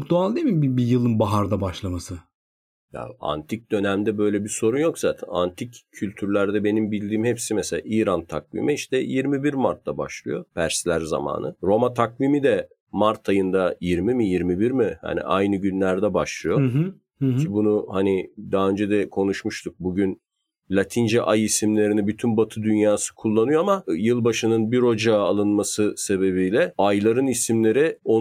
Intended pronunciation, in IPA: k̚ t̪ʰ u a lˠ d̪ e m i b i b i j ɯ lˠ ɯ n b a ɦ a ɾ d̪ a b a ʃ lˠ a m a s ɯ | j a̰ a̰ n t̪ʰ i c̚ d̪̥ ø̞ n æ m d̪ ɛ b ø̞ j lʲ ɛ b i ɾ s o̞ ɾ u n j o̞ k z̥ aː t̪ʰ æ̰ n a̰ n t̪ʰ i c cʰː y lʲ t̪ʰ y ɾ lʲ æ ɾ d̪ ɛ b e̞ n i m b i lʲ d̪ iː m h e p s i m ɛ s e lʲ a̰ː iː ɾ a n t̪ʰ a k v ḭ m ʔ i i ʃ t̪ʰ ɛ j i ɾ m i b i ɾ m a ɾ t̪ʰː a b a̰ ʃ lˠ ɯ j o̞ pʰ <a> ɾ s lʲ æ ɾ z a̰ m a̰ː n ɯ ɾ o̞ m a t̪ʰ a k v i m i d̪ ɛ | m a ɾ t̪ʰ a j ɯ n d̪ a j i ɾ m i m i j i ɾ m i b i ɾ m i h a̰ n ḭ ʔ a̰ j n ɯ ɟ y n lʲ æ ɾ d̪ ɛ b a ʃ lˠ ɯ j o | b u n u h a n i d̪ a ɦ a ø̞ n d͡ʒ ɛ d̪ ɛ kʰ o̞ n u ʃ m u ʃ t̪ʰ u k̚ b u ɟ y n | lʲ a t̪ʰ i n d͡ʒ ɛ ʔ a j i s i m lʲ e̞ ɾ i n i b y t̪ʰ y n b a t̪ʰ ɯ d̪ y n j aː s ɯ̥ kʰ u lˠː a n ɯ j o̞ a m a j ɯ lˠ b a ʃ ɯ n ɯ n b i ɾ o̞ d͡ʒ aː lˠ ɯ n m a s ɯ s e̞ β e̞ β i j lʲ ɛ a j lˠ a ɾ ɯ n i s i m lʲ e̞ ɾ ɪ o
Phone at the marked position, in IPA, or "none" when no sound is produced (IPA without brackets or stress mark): æ